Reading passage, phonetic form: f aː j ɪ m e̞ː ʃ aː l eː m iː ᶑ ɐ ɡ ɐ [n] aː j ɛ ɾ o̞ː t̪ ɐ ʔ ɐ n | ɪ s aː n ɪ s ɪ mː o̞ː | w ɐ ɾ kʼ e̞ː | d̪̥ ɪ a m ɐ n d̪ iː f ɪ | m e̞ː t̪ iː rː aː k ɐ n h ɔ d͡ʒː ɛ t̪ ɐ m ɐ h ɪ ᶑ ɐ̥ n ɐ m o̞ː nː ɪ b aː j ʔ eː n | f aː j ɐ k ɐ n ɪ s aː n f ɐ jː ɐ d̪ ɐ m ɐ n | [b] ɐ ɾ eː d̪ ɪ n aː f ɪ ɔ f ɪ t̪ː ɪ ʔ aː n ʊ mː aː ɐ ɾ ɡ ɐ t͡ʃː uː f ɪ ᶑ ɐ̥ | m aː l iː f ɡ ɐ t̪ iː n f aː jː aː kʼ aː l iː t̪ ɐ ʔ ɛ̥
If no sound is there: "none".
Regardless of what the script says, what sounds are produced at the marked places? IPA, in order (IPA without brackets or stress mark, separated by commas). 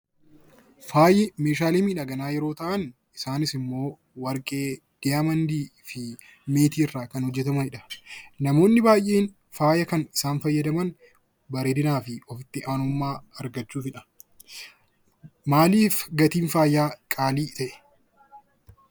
n, b